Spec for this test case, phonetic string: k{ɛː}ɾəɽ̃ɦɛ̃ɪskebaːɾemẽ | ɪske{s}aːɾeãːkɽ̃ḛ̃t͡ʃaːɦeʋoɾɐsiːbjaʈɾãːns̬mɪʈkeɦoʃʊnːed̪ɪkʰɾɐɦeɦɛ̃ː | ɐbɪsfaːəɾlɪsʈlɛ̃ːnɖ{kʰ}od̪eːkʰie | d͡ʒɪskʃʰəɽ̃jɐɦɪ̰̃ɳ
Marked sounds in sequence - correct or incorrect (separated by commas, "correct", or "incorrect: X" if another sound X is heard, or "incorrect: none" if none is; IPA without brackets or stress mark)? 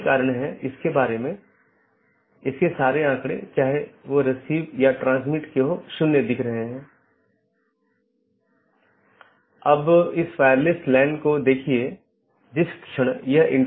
incorrect: aː, correct, incorrect: k